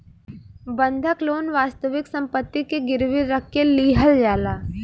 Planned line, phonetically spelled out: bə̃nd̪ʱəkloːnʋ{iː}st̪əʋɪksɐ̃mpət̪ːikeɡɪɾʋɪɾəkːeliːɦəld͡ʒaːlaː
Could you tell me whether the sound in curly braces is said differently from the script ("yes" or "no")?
yes